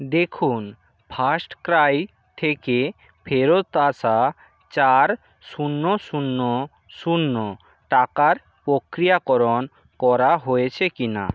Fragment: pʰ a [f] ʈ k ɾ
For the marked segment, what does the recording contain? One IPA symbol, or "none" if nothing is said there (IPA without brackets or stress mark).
s